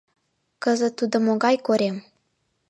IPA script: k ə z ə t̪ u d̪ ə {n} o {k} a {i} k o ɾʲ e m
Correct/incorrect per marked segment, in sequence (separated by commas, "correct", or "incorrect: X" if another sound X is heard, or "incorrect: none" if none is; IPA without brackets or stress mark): incorrect: m, incorrect: ɡ, incorrect: j